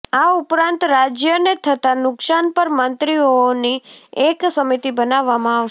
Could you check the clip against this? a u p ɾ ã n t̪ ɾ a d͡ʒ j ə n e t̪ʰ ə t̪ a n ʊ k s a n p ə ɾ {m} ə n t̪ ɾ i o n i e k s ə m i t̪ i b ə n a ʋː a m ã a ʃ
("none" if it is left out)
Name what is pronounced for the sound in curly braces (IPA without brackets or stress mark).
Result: m